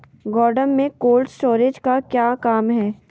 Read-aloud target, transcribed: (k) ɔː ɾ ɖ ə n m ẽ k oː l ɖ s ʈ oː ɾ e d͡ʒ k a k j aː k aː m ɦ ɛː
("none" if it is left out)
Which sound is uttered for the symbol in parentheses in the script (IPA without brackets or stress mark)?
ɡ